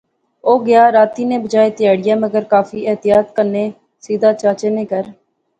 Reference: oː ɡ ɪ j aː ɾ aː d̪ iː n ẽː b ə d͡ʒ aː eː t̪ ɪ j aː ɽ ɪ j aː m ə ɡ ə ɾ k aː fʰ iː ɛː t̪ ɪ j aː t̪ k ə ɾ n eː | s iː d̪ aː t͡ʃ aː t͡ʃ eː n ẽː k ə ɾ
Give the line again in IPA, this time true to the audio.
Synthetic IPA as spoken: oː ɡ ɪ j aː ɾ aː t̪ iː n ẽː b ə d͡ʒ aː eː t̪ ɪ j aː ɽ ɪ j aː m ə ɡ ə ɾ k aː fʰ iː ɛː t̪ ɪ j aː t̪ k ə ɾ n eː | s iː d̪ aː t͡ʃ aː t͡ʃ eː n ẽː k ə ɾ